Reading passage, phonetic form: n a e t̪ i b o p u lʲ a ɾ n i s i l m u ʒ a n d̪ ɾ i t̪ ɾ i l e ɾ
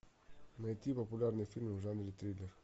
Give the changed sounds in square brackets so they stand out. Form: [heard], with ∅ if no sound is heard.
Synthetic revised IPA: n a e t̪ i [p] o p u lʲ a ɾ n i [f] i l m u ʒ a n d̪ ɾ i t̪ ɾ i l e ɾ